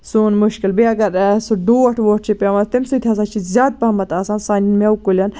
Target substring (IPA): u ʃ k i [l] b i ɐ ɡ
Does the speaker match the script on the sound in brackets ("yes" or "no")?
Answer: yes